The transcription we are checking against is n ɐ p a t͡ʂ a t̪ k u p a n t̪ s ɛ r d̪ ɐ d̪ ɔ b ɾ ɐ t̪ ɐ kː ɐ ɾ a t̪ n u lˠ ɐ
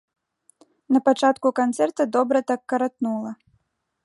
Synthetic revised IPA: n ɐ p a t͡ʂ a t̪ k u k a n t̪ s ɛ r t̪ ɐ d̪ ɔ b ɾ ɐ t̪ a kː ɐ ɾ a t̪ n u lˠ ɐ